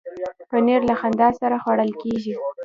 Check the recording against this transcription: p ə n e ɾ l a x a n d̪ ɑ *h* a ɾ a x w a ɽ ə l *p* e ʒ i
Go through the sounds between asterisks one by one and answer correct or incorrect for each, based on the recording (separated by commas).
incorrect, incorrect